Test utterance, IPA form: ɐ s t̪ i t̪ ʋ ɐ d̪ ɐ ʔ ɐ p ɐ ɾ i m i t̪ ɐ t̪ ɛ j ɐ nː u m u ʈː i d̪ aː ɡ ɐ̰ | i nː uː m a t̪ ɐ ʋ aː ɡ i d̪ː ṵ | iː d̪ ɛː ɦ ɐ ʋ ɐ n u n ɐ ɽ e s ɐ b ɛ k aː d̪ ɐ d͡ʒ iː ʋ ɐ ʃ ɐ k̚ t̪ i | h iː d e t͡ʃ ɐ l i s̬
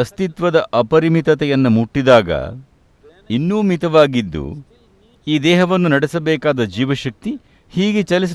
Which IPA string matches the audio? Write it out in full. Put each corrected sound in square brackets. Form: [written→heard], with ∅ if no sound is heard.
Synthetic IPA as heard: ɐ s t̪ i t̪ ʋ ɐ d̪ ɐ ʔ ɐ p ɐ ɾ i m i t̪ ɐ t̪ ɛ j ɐ nː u m u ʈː i d̪ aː ɡ ɐ̰ | i nː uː m [a→i] t̪ ɐ ʋ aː ɡ i d̪ː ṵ | iː d̪ ɛː ɦ ɐ ʋ ɐ [n→nː] u n ɐ ɽ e s ɐ b [ɛ→ɛː] k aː d̪ ɐ d͡ʒ iː ʋ ɐ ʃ ɐ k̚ t̪ i | h iː [d→ɡ] e t͡ʃ ɐ l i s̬